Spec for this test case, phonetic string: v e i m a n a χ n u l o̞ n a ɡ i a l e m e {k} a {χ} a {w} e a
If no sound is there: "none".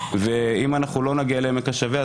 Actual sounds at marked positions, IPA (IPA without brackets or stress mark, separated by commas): k, ʃ, v